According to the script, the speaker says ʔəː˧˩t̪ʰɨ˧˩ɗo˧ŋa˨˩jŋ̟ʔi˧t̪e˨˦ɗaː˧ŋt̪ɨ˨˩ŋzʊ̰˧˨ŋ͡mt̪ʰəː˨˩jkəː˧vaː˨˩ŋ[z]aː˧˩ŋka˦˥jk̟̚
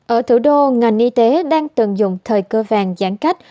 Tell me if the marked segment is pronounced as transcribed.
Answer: yes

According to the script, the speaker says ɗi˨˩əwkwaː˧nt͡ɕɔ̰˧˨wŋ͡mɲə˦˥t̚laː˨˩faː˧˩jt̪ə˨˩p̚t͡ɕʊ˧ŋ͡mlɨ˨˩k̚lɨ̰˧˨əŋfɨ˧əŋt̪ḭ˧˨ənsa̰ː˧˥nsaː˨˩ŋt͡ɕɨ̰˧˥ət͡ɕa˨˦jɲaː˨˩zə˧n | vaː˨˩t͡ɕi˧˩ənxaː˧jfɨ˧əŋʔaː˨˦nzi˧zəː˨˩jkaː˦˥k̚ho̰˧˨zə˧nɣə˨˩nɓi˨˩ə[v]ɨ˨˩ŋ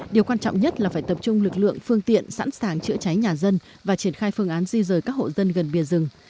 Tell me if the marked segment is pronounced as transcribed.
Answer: no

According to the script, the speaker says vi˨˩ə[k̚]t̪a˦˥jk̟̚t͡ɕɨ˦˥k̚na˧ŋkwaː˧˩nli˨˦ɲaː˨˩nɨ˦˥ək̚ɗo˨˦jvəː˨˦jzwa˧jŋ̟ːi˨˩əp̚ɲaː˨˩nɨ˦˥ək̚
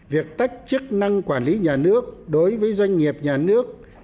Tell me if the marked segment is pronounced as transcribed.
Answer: yes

